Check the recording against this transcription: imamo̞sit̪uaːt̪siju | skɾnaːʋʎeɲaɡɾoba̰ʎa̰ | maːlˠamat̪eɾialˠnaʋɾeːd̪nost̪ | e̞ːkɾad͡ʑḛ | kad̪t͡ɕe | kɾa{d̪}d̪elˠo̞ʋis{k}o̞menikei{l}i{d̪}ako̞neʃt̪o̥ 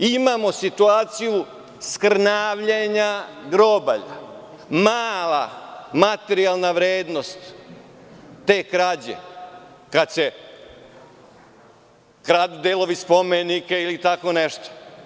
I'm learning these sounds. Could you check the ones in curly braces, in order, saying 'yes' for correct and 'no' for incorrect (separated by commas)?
yes, no, yes, no